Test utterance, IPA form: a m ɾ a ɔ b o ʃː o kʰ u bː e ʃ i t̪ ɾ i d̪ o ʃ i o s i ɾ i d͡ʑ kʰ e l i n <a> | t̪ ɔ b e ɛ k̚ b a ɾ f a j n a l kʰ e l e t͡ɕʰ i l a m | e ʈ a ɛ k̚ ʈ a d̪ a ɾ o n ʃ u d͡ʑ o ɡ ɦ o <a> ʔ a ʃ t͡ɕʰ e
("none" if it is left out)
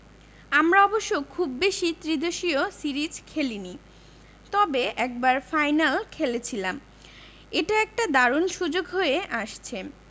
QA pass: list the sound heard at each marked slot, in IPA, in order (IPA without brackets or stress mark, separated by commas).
i, e